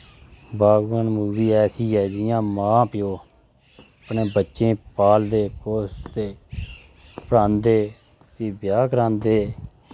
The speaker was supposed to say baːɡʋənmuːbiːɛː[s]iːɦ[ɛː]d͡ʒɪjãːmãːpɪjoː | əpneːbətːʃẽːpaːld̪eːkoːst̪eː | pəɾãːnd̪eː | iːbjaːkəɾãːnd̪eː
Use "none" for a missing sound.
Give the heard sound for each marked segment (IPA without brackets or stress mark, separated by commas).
s, ɛː